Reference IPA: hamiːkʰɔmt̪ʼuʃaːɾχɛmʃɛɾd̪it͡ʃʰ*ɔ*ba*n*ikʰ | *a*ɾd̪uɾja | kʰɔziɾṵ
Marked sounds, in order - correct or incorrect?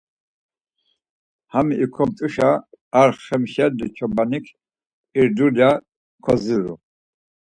correct, correct, incorrect: i

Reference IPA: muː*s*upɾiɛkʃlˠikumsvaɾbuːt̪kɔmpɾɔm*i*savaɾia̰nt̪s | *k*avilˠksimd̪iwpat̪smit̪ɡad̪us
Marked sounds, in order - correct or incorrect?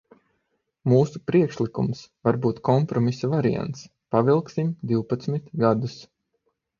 correct, correct, incorrect: p

